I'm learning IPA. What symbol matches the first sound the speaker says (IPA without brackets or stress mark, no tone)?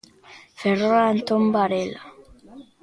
f